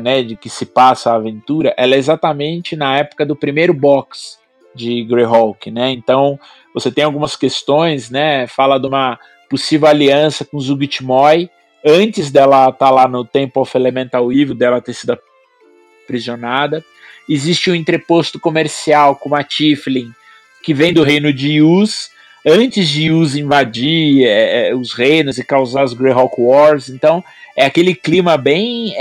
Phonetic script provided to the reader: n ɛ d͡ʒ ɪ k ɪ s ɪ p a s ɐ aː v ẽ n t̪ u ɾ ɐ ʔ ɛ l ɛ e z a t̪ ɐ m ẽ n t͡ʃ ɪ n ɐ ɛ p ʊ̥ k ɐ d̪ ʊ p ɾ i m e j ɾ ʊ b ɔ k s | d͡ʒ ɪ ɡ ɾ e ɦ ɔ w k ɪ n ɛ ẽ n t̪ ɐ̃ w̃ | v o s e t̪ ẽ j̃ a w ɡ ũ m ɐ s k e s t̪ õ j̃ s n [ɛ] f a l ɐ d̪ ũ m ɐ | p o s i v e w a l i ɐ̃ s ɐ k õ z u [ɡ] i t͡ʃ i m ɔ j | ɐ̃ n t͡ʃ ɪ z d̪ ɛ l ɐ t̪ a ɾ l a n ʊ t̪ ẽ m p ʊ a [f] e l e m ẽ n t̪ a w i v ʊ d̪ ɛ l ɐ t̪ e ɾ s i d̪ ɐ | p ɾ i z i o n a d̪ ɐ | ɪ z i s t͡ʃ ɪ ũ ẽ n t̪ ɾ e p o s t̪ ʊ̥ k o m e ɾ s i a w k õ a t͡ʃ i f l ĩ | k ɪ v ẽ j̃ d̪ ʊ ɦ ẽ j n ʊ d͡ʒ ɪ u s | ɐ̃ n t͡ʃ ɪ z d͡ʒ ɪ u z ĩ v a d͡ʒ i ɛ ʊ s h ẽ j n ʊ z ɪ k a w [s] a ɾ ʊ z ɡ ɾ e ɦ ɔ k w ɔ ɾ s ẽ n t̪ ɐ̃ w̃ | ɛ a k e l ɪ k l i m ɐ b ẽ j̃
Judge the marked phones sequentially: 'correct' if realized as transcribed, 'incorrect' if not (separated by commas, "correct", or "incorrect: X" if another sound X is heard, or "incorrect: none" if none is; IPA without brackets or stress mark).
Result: correct, correct, correct, incorrect: z